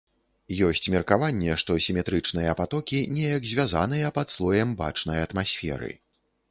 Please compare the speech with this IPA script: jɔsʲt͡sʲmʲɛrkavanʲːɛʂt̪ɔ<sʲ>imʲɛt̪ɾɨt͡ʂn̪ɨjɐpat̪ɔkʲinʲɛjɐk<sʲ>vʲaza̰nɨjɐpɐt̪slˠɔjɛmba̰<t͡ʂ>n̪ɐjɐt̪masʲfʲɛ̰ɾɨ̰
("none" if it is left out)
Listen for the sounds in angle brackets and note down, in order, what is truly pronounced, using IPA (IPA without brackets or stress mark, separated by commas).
sʲ, zʲ, t͡ʂ